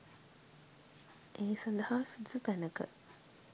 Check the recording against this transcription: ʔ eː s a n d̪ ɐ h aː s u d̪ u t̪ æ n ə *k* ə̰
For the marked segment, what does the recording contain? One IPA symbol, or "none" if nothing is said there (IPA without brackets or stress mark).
k